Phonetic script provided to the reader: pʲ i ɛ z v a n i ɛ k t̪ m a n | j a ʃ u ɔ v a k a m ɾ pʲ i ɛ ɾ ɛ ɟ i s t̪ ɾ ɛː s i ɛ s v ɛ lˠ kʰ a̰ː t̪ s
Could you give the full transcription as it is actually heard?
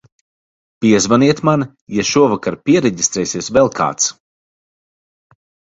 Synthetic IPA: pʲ i ɛ z v a n i ɛ t̪ m a n | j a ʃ u ɔ v a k a ɾ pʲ i ɛ ɾ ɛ ɟ i s t̪ ɾ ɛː s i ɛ s v ɛ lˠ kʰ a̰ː t̪ s